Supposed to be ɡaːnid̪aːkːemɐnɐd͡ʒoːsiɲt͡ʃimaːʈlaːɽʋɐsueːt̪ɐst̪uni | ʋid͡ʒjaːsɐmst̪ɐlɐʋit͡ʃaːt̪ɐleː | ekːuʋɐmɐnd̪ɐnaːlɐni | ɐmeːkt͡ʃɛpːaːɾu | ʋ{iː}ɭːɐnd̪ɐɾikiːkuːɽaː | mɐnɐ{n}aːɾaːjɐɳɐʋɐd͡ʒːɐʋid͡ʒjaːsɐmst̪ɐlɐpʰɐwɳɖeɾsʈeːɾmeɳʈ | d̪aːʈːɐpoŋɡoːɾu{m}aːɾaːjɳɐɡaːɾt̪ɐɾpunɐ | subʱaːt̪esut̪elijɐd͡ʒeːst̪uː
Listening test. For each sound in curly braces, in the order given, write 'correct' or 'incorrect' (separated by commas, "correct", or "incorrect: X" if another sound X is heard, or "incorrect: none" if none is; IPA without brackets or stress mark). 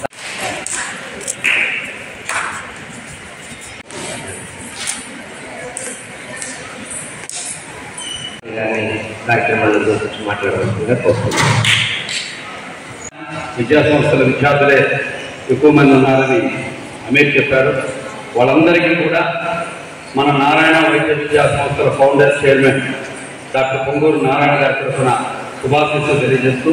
incorrect: aː, correct, incorrect: n